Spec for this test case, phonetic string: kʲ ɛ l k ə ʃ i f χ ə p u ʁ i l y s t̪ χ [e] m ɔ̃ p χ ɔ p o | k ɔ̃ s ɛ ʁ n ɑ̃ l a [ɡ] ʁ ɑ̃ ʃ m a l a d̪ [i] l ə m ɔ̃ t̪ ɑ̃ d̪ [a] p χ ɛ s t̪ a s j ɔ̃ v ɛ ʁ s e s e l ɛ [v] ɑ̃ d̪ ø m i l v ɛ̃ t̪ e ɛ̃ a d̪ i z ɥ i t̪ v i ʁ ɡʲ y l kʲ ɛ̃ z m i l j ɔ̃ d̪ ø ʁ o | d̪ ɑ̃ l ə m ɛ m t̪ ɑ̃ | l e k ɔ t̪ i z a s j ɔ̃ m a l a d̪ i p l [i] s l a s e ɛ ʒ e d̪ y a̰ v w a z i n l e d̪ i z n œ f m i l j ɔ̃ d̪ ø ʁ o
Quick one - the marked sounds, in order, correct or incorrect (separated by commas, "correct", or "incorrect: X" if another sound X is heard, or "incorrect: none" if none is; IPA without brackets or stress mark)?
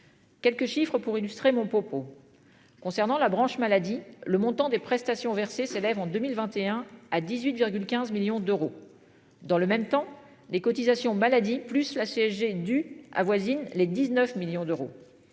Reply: correct, incorrect: b, correct, incorrect: e, correct, incorrect: y